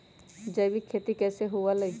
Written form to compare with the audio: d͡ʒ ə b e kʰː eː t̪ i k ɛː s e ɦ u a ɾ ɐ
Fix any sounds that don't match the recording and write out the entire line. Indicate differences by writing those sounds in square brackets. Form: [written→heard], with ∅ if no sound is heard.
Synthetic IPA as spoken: d͡ʒ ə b [e→i] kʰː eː t̪ i k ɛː s e ɦ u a [ɾ→l] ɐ